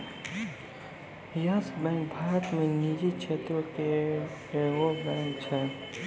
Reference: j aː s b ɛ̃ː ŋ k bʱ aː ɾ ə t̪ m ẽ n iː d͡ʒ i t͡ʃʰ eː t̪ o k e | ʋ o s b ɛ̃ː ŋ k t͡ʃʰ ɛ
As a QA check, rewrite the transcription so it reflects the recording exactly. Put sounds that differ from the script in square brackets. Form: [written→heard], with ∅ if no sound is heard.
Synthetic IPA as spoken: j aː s b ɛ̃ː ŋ k bʱ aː ɾ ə t̪ m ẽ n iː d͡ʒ i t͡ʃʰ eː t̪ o k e | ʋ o [s→∅] b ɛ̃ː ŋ k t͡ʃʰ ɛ